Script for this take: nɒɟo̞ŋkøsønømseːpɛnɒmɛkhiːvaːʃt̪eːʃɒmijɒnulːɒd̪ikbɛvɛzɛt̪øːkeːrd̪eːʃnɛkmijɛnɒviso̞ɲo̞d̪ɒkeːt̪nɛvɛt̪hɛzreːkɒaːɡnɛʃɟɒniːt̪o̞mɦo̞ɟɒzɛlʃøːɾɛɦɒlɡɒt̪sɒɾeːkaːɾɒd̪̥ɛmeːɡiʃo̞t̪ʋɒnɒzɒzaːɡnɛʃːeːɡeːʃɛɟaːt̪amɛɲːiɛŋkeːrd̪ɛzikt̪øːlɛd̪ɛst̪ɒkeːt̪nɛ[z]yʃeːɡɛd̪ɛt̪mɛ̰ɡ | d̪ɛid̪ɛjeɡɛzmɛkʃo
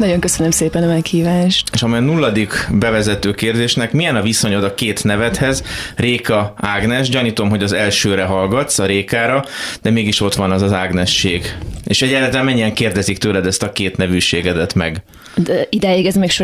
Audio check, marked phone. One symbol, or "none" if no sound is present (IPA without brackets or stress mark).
v